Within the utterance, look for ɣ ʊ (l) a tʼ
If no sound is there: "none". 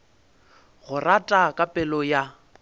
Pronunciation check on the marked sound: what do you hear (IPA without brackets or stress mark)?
r